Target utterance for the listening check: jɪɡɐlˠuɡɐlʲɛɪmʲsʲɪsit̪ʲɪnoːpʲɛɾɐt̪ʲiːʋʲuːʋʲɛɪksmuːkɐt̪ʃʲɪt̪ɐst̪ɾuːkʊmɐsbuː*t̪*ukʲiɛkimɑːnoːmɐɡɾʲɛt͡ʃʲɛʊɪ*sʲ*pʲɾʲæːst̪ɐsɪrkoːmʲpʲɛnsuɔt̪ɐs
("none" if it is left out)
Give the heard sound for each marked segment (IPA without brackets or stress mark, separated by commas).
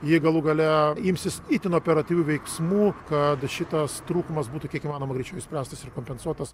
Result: t̪, sʲ